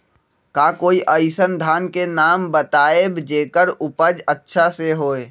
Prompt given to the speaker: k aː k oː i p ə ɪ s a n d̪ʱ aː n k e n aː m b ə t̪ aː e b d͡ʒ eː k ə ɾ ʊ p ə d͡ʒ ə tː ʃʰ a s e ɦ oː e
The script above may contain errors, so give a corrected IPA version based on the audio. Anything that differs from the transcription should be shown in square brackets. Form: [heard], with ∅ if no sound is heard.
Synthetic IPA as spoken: k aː k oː i [ʔ] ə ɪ s [ə] n d̪ʱ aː n k e n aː m b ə t̪ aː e b d͡ʒ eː k ə ɾ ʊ p ə d͡ʒ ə tː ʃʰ a s e ɦ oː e